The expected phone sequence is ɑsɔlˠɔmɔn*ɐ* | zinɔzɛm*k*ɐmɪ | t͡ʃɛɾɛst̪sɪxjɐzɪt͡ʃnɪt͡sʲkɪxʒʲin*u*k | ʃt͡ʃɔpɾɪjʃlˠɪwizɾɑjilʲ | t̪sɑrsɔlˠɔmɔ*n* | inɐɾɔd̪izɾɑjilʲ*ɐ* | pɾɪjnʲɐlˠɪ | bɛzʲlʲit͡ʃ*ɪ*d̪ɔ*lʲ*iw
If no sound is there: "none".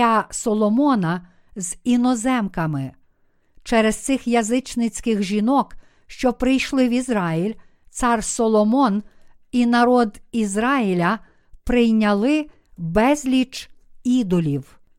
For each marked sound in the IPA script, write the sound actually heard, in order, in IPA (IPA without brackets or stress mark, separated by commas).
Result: ɐ, k, ɔ, n, ɐ, i, lʲ